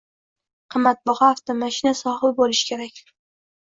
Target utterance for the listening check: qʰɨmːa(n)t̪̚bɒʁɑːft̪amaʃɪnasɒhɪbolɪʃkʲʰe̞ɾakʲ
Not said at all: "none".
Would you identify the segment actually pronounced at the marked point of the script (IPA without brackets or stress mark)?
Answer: none